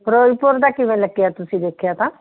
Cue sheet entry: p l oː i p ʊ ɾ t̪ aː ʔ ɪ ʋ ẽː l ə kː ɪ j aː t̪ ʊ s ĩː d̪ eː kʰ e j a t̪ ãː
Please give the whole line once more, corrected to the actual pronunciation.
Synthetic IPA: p ɾ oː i p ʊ ɾ d̪ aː k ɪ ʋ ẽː l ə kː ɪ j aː t̪ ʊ s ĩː d̪ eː kʰ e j a t̪ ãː